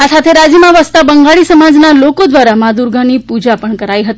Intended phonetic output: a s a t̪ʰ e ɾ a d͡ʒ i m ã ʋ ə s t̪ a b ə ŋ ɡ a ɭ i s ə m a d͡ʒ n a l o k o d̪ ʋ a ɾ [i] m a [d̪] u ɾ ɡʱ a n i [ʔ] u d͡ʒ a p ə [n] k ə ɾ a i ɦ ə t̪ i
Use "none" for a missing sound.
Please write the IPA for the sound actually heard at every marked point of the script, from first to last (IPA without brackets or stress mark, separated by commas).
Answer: a, d̪, p, ɳ